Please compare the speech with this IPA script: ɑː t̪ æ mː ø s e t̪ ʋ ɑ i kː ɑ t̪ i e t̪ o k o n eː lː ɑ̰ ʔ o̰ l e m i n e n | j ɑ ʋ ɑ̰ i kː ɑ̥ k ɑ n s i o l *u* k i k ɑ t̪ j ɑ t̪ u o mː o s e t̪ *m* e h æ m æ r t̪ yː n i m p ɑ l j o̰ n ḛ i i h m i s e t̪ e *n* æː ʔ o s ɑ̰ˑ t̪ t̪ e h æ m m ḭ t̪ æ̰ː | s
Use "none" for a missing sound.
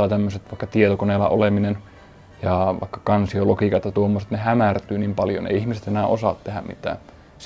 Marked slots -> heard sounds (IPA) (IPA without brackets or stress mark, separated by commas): o, n, n